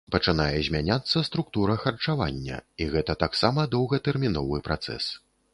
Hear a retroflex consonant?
yes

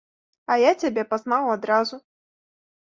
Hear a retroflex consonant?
no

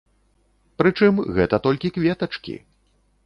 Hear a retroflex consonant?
yes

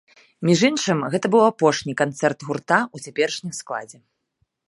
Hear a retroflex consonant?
yes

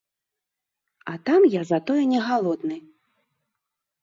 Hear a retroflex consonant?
no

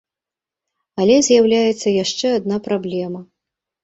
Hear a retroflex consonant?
yes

